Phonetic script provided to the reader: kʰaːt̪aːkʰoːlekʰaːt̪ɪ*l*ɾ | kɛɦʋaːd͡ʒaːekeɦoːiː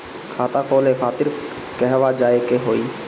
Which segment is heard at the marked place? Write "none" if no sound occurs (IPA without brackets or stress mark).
none